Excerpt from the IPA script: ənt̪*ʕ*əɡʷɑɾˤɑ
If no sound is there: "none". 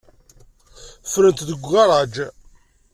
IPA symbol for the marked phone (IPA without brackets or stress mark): ð